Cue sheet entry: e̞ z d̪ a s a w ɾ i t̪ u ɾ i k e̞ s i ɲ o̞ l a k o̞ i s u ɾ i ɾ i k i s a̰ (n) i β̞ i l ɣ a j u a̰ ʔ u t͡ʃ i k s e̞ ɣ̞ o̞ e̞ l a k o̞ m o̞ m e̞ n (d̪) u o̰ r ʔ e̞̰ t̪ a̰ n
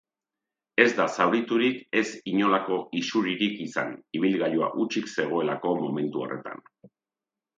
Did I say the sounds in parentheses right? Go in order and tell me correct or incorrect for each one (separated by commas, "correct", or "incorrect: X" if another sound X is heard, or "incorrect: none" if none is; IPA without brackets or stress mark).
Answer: correct, incorrect: t̪